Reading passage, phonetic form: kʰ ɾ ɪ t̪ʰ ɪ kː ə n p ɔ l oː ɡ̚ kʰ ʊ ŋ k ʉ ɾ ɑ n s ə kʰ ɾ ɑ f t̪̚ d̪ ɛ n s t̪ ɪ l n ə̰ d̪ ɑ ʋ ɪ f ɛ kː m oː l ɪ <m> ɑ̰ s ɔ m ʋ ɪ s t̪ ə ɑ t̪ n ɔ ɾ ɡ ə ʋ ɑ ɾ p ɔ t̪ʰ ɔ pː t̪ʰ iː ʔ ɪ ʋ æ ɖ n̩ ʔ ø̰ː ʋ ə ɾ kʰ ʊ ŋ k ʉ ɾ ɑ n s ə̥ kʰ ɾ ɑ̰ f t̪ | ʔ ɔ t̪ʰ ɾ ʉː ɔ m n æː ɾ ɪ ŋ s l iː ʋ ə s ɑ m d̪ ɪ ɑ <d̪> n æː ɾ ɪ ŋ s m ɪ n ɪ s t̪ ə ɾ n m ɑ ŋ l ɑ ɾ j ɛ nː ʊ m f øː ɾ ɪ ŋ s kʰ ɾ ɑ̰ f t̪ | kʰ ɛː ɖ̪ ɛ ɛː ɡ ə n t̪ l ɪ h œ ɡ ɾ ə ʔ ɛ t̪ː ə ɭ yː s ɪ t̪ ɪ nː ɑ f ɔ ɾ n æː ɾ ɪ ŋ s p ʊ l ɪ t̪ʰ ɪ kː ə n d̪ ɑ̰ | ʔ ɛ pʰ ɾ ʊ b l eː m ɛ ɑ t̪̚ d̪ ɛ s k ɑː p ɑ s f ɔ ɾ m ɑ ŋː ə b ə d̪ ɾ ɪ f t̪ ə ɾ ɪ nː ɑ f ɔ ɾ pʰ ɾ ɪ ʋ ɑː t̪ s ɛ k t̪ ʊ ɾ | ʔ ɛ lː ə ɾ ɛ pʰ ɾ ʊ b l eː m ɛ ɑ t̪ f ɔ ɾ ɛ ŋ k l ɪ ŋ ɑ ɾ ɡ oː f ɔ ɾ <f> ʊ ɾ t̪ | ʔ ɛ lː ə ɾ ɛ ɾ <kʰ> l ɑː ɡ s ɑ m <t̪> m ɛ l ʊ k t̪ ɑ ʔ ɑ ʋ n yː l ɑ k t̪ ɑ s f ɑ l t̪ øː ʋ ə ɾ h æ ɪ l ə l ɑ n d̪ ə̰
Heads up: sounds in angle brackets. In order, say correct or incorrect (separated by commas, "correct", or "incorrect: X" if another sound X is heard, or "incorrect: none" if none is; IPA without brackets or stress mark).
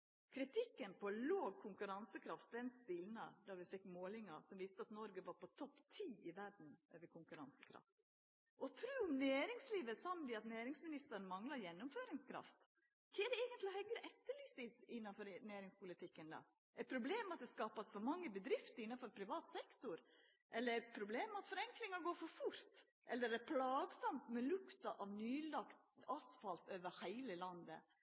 incorrect: ŋ, incorrect: t̪, correct, incorrect: pʰ, correct